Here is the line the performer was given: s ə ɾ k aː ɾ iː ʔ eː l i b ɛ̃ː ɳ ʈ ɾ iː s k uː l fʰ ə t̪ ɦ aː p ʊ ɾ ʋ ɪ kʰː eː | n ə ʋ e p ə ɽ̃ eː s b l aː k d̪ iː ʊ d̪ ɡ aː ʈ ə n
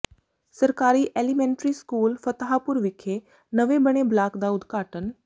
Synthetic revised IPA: s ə ɾ k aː ɾ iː ʔ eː l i m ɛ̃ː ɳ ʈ ɾ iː s k uː l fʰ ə t̪ ɦ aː p ʊ ɾ ʋ ɪ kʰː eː | n ə ʋ e b ə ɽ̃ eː b l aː k d̪ aː ʊ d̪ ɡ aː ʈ ə n